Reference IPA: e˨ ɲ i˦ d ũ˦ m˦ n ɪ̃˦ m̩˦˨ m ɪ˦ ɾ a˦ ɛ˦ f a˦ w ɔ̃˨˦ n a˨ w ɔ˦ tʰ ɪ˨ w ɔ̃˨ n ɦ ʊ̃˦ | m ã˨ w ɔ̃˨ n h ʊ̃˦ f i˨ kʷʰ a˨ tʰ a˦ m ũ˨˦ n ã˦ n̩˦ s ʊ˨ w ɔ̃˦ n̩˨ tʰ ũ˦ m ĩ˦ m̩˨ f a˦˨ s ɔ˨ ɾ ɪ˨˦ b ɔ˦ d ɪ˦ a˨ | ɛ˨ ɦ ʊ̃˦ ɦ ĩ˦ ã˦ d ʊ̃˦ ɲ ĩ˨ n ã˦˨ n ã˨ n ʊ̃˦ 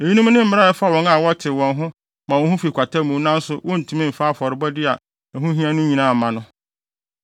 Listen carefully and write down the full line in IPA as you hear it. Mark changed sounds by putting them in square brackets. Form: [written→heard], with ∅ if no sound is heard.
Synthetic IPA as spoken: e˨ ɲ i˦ [d→n] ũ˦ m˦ n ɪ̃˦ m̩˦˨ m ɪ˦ ɾ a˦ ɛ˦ f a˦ w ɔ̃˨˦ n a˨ w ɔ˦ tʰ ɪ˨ w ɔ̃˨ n ɦ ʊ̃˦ | m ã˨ w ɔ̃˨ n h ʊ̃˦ f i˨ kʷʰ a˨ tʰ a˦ m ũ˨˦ n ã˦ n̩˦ s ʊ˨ w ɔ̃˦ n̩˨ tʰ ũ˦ m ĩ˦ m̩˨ f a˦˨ [s→f] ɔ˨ ɾ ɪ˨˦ b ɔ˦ d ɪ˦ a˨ | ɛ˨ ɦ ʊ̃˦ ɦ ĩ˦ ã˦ [d→n] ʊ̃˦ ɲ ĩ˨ n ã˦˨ [n→m] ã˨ n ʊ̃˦

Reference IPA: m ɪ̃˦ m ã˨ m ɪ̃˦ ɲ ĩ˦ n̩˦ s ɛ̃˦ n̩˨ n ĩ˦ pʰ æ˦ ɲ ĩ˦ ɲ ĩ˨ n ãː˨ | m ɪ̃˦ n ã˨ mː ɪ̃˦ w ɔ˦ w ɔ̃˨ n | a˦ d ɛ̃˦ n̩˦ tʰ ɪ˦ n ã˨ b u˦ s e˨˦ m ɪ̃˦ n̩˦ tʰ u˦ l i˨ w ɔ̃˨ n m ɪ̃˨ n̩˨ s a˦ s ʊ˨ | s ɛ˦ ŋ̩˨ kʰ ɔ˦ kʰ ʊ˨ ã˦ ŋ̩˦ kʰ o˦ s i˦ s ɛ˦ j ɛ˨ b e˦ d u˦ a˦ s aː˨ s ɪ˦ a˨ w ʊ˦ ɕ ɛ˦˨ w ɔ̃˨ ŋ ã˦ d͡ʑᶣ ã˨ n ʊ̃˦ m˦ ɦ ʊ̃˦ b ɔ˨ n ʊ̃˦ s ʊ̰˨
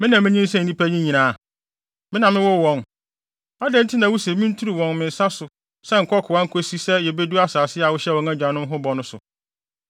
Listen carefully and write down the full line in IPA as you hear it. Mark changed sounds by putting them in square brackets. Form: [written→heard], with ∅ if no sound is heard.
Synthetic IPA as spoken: m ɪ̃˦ [m→n] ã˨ m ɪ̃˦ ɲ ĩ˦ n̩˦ s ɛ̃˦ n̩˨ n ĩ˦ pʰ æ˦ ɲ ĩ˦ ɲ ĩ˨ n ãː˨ | m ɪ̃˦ n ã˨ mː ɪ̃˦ w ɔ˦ w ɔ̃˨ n | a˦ d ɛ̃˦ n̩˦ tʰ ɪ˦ n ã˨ [b→w] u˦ s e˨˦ m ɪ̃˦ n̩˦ tʰ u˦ [l→ɾ] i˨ w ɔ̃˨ n m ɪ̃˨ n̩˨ s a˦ s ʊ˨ | s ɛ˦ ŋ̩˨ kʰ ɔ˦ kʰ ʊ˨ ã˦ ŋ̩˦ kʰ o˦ s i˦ s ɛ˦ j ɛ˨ b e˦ d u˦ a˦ s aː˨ s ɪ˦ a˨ w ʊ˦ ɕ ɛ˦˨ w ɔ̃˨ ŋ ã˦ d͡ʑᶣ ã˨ n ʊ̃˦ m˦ ɦ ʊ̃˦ b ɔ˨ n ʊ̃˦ s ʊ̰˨

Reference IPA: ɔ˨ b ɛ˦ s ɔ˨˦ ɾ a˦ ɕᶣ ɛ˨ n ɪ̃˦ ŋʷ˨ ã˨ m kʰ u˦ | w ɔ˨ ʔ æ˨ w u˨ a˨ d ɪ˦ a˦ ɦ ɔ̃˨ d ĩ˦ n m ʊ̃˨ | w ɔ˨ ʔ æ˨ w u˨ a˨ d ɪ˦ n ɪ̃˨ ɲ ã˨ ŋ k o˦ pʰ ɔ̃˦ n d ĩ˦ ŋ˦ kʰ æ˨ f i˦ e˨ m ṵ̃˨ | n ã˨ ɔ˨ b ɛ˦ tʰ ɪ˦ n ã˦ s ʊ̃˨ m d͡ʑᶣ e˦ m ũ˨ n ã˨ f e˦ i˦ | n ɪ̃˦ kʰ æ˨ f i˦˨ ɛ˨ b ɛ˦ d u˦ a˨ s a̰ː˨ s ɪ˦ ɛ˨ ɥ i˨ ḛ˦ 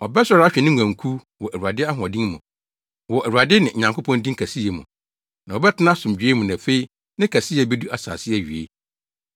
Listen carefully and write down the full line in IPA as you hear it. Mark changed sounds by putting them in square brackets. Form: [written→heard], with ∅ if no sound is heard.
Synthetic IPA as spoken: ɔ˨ b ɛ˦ s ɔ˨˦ ɾ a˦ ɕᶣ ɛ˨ n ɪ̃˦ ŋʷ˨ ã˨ [m→ŋ] kʰ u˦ | w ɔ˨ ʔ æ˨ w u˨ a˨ d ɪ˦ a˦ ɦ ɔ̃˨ d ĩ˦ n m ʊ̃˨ | w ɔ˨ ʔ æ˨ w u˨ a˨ d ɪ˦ n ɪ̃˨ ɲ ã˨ ŋ k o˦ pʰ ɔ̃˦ n d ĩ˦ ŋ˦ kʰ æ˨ [f→s] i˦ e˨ m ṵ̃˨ | n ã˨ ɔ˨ b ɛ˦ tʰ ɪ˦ n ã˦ s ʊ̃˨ m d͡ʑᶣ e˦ m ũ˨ n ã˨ f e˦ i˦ | n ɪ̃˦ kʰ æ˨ [f→s] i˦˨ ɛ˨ b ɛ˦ d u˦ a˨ s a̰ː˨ s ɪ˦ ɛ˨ ɥ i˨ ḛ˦

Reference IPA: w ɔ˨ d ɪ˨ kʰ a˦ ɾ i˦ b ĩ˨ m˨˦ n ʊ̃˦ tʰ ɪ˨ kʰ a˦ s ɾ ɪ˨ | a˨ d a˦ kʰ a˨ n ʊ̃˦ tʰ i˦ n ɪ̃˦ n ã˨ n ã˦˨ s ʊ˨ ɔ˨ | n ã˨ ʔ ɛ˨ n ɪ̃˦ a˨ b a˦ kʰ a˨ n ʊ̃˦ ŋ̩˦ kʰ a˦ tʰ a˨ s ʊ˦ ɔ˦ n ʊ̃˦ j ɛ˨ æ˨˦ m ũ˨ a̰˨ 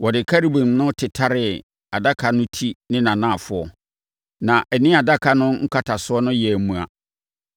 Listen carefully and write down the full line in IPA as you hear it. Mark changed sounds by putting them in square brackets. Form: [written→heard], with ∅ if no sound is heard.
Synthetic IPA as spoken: w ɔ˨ d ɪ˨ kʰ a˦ ɾ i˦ b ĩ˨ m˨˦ n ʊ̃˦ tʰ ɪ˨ [kʰ→tʰ] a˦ [s→∅] ɾ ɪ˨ | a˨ d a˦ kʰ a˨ n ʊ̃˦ tʰ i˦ n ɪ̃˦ n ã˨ n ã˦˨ [s→f] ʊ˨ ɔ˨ | n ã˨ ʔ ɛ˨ n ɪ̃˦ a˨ [b→d] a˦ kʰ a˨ n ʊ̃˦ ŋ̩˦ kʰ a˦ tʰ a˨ s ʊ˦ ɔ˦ n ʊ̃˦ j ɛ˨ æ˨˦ m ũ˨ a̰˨

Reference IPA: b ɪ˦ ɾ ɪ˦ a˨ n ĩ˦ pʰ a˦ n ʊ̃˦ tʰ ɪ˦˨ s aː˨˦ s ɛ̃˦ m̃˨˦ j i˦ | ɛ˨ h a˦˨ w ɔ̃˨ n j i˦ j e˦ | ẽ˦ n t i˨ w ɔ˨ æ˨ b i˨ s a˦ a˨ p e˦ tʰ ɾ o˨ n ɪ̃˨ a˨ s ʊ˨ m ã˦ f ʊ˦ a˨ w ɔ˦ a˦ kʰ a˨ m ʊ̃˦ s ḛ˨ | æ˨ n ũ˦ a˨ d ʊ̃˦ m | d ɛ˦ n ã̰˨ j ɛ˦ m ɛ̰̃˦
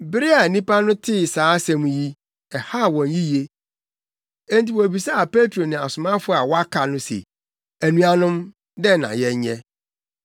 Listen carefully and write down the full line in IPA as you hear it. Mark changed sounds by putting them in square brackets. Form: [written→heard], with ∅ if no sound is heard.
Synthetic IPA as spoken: b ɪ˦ ɾ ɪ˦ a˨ n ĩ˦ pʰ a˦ n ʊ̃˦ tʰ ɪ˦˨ s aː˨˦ s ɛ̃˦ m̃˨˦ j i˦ | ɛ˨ h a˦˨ w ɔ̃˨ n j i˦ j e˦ | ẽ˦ n t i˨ w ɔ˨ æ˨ b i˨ s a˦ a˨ p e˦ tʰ ɾ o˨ n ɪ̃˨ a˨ s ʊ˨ m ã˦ f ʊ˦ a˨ w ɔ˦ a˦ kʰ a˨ [m→n] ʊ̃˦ s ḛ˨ | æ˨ n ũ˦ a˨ [d→n] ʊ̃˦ m | d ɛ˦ n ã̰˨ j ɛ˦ [m→ɲ] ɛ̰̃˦

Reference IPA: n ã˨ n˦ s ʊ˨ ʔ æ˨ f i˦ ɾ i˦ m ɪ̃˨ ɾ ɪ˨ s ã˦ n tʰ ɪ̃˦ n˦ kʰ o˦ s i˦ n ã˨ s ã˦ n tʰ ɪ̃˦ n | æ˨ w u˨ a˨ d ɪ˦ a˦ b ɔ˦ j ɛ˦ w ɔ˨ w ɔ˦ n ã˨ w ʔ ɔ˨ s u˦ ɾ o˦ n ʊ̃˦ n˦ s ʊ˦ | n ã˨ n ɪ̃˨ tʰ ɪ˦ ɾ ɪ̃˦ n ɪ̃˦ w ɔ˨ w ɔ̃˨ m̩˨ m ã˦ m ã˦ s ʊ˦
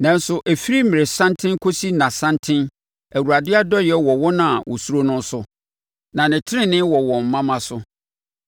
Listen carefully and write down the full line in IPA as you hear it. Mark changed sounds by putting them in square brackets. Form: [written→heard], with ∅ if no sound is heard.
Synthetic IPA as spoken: n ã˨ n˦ s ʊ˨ ʔ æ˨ f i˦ ɾ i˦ m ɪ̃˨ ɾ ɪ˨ s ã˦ n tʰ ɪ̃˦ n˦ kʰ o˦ s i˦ n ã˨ s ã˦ n tʰ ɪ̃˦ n | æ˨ w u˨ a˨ d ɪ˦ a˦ [b→d] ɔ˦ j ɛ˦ w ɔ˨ w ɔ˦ n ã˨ w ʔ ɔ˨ s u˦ ɾ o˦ n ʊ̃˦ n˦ s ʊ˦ | n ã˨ n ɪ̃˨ tʰ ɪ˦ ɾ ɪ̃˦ n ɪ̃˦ w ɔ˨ w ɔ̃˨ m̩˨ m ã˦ m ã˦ s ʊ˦

